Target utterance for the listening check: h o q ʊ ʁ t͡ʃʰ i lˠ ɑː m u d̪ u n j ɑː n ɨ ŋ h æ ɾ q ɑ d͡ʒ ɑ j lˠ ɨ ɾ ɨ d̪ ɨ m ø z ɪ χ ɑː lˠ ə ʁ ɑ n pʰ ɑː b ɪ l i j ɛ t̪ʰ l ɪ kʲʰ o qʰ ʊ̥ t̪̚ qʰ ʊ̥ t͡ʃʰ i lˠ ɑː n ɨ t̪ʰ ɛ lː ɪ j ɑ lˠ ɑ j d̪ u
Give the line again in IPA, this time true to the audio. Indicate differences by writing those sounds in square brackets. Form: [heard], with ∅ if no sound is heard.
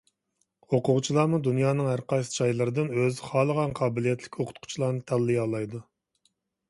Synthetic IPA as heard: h o q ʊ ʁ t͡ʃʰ i lˠ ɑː m u d̪ u n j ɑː n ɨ ŋ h æ ɾ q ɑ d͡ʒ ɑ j lˠ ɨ ɾ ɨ d̪ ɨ [n] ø z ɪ χ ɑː lˠ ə ʁ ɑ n [qʰ] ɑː b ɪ l i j ɛ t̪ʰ l ɪ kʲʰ o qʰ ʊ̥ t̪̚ qʰ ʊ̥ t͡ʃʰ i lˠ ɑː n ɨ t̪ʰ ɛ lː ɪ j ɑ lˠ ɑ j d̪ u